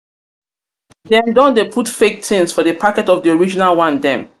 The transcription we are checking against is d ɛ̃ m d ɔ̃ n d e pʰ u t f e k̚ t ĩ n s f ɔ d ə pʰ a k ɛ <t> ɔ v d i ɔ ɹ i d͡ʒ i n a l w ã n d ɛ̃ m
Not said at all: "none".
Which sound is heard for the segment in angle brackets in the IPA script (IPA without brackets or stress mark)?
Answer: t